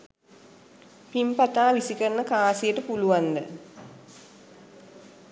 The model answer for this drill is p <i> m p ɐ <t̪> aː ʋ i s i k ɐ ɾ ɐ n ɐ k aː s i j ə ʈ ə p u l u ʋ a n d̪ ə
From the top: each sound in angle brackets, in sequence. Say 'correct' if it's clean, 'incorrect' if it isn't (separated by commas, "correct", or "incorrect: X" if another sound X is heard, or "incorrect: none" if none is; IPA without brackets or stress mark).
correct, correct